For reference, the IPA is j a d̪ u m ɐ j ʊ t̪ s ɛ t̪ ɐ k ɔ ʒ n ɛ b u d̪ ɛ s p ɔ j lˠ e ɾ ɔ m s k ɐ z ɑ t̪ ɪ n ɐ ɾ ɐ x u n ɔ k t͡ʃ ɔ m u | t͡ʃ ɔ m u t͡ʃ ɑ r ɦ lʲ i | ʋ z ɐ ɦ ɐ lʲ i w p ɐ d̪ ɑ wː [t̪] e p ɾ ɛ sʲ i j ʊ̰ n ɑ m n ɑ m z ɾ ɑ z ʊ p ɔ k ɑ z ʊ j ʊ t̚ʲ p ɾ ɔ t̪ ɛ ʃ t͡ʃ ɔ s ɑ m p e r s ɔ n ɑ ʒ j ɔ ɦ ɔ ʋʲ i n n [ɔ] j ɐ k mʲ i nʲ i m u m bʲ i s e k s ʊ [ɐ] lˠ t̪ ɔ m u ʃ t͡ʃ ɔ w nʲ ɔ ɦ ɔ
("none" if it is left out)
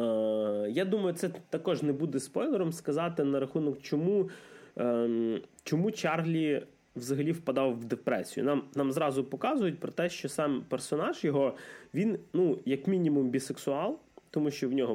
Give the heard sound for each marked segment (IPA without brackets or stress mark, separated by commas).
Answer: d̪, u, ɑ